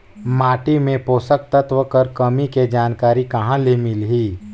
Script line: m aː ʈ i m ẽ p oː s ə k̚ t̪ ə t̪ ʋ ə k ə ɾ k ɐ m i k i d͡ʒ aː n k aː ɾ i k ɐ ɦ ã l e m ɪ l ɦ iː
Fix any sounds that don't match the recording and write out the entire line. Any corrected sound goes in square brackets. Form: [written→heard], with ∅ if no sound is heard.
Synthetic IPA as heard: m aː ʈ i m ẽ p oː s ə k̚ t̪ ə t̪ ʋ ə k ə ɾ k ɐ m i k [i→e] d͡ʒ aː n k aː ɾ i k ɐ ɦ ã l e m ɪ l ɦ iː